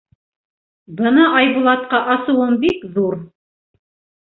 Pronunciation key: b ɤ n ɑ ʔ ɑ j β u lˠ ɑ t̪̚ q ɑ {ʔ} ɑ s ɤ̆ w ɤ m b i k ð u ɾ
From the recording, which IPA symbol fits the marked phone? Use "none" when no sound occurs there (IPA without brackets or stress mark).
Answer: ʔ